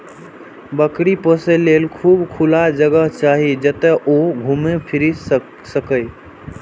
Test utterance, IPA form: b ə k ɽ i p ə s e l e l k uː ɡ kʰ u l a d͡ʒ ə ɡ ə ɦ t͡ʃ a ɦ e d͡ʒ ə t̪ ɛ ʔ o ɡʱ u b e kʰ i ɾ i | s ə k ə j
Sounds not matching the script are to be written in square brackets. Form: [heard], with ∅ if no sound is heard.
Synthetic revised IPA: b ə k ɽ i p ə s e l e l [kʰ] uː [b] kʰ u l a d͡ʒ ə ɡ ə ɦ t͡ʃ a ɦ [i] d͡ʒ ə t̪ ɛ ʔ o ɡʱ u [m] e [pʰ] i ɾ i | s ə k ə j